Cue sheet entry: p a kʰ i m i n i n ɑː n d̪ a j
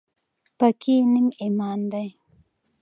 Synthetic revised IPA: p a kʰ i n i m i m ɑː n d̪ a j